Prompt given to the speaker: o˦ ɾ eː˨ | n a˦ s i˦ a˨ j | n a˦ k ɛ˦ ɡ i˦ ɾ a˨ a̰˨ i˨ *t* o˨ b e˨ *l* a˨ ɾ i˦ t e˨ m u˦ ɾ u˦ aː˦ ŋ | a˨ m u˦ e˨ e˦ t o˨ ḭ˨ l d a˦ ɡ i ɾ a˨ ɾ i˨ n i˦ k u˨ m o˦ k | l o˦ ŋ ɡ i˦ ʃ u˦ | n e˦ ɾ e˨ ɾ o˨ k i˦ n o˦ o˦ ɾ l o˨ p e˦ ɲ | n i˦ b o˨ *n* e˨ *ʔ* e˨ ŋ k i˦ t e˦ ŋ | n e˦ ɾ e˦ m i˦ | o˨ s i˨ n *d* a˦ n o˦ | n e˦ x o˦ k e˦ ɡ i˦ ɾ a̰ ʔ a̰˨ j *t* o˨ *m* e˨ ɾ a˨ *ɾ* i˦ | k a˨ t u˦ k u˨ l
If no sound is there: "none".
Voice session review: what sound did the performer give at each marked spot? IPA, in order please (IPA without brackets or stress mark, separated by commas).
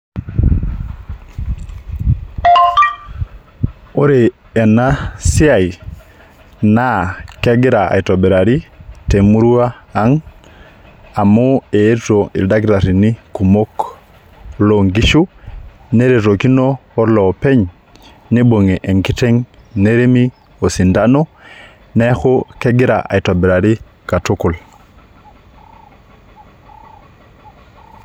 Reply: t, ɾ, ŋ, ʔ, d, t, b, ɾ